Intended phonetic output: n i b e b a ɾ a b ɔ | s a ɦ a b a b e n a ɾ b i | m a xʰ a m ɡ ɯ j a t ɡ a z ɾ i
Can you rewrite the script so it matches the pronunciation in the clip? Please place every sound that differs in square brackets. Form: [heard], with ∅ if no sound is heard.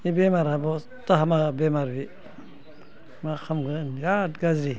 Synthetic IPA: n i b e [m] a ɾ a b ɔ | [t] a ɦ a [m] a b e [m] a ɾ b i | m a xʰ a m ɡ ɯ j a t ɡ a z ɾ i